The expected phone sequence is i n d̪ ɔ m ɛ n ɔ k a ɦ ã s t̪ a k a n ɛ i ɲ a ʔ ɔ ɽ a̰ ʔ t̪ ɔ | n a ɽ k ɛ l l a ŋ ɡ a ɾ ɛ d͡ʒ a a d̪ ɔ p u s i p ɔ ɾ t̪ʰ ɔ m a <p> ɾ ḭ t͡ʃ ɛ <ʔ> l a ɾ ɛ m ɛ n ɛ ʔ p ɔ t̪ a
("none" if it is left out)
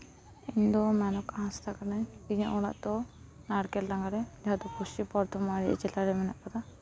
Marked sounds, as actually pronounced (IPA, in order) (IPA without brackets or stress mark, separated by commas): none, none